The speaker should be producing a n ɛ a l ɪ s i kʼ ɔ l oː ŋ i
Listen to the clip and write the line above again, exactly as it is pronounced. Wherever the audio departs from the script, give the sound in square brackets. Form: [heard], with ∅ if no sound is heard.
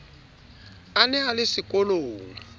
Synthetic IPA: a n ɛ a l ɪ s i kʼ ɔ l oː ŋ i